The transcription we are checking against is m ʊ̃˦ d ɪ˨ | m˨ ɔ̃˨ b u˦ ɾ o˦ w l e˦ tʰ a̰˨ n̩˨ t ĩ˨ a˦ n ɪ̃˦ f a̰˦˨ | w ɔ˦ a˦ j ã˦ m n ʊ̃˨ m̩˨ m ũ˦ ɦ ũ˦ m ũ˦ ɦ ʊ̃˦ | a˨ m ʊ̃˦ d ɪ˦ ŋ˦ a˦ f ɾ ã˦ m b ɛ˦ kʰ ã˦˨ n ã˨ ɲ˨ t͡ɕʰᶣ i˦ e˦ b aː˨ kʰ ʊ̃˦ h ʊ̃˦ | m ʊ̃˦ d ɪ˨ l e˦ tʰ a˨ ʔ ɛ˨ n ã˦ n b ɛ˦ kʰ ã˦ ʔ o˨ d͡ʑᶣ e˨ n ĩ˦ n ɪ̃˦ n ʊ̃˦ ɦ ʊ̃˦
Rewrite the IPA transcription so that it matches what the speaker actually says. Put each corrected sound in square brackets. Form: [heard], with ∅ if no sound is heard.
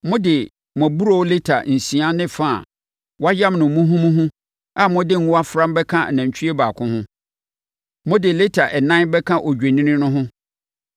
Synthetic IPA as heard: m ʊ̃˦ d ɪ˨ | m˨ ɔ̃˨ b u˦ ɾ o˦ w l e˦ tʰ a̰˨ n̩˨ [s] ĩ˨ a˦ n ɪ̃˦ f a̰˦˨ | w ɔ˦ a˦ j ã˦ m n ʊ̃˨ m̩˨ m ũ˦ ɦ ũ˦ m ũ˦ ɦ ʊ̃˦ | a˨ m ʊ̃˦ d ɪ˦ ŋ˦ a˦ f ɾ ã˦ m b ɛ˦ kʰ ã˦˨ n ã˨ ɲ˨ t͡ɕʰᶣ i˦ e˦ b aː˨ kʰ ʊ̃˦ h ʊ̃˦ | m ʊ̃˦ d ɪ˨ l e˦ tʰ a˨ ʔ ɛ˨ n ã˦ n b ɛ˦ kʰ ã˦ ʔ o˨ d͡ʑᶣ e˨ n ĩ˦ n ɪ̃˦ n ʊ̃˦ ɦ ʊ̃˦